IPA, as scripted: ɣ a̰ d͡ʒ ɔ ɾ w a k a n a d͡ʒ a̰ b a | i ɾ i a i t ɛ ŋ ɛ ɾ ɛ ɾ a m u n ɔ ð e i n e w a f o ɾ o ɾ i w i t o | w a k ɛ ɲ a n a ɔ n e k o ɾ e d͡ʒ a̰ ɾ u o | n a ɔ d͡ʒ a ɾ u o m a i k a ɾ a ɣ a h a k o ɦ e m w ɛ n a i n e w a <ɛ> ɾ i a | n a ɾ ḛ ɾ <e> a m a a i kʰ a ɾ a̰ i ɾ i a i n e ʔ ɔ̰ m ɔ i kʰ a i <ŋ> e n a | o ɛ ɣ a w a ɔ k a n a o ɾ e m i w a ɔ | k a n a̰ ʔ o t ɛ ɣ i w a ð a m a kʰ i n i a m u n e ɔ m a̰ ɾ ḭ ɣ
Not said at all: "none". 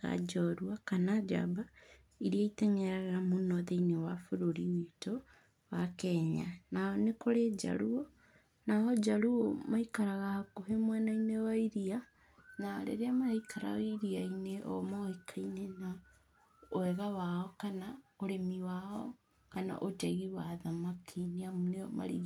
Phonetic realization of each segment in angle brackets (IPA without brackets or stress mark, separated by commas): i, e, n